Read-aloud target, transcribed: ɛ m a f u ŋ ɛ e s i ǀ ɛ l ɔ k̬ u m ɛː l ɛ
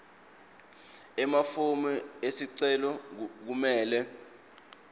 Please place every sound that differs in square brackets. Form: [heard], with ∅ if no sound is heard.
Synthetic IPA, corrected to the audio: ɛ m a f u [m] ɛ e s i ǀ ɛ l ɔ k̬ u m ɛː l ɛ

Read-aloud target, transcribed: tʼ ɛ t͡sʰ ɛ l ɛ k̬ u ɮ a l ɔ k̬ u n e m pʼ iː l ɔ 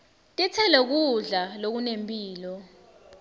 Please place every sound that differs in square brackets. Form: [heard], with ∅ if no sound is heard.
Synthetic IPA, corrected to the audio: tʼ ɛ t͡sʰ ɛ l ɛ k̬ u ɮ a l [o] k̬ u n e m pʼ iː l ɔ

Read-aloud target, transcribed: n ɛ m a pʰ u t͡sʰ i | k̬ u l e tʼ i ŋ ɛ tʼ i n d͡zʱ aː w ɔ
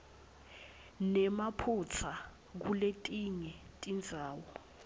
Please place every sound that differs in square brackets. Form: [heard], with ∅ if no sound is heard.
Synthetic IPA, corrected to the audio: n ɛ m a pʰ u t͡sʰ [a] | k̬ u l e tʼ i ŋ ɛ tʼ i n d͡zʱ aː w ɔ

